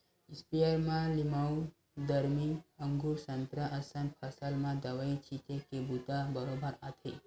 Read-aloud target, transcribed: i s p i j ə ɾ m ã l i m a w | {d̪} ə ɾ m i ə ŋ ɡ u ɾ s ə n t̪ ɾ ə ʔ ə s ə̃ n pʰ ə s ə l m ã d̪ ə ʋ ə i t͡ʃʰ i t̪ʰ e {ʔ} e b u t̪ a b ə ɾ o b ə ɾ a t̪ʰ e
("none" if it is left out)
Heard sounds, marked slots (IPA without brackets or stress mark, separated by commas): d̪, k